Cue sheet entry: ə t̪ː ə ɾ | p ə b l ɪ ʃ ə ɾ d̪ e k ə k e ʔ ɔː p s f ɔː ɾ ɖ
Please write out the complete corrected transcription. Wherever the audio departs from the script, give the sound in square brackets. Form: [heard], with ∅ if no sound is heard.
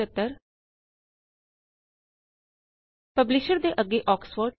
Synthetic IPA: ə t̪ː ə ɾ | p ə b l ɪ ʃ ə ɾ d̪ e [ʔ] ə [ɡ] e ʔ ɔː [k] s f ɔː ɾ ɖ

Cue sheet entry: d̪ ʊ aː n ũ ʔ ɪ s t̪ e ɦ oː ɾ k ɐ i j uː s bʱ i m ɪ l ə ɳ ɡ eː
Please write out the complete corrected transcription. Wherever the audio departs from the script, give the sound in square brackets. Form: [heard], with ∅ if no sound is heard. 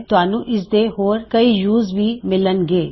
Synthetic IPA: [t̪] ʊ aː n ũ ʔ ɪ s [d̪] e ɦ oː ɾ k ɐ i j uː [z] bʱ i m ɪ l ə [n] ɡ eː

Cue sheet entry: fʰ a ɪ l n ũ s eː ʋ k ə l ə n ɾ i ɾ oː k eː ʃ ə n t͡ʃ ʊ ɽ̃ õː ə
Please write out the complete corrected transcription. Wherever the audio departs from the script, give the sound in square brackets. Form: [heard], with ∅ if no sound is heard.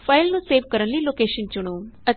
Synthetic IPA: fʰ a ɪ l n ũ s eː ʋ k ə [ɾ] ə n [l] i [l] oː k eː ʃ ə n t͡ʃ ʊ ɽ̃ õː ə

